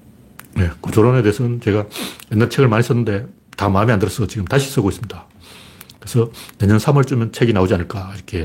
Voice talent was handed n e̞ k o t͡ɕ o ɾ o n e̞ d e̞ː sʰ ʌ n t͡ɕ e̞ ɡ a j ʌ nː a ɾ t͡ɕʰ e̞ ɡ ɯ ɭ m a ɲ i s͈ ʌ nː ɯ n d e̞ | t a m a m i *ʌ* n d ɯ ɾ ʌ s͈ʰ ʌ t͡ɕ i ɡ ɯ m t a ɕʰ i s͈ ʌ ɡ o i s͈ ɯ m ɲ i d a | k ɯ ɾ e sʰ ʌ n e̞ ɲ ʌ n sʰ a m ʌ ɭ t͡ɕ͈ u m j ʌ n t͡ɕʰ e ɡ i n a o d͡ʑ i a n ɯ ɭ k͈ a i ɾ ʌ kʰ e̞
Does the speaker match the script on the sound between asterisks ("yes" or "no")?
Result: no